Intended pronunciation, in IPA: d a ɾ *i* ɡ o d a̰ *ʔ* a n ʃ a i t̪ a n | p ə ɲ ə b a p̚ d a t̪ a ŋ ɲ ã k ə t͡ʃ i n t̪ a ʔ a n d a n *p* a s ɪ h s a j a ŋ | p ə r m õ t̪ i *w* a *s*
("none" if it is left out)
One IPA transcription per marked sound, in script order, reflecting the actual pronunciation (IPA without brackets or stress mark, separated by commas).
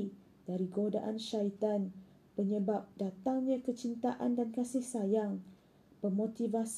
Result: i, ʔ, k, v, s